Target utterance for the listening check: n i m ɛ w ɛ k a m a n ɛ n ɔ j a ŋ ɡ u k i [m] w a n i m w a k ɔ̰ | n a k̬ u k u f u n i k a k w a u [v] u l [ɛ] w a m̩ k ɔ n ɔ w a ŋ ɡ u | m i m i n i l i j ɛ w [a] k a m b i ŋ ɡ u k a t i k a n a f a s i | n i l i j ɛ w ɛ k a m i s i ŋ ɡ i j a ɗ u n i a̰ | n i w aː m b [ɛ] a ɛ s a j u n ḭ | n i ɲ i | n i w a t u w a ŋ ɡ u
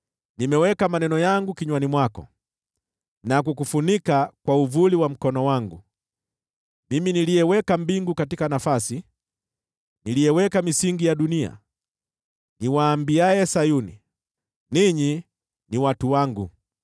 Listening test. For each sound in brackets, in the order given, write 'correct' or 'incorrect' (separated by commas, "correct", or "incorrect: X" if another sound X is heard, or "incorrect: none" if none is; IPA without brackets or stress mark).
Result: incorrect: ɲ, correct, incorrect: i, incorrect: ɛ, incorrect: i